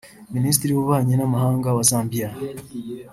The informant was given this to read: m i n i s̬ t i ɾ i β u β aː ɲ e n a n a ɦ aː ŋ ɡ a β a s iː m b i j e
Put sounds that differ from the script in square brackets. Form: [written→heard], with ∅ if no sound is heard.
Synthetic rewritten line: m i n i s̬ t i ɾ i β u β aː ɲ e n a [n→m] a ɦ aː ŋ ɡ a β a s [iː→aː] m b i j [e→a]